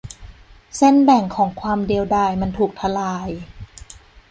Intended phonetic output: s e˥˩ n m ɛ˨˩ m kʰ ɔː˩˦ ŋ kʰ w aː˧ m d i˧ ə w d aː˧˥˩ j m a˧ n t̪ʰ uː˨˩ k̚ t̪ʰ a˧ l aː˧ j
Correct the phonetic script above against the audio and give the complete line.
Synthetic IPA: s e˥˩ n b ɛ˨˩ ŋ kʰ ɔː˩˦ ŋ kʰ w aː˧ m d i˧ ə w d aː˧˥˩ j m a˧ n t̪ʰ uː˨˩ k̚ t̪ʰ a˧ l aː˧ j